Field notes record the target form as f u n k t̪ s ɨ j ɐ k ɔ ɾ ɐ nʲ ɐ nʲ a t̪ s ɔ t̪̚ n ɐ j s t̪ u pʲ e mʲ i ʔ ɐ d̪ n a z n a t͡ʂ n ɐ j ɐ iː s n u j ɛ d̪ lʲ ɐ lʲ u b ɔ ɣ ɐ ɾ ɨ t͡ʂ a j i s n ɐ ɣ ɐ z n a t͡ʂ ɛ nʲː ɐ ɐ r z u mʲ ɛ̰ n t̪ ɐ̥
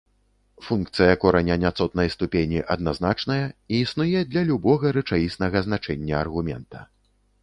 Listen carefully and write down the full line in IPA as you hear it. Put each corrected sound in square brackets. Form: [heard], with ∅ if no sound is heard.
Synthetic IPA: f u n k t̪ s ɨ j ɐ k ɔ ɾ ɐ nʲ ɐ nʲ a t̪ s ɔ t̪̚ n ɐ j s t̪ u pʲ e [nʲ] i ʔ ɐ d̪ n a z n a t͡ʂ n ɐ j ɐ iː s n u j ɛ d̪ lʲ ɐ lʲ u b ɔ ɣ ɐ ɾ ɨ t͡ʂ a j i s n ɐ ɣ ɐ z n a t͡ʂ ɛ nʲː ɐ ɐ r [ɣ] u mʲ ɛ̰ n t̪ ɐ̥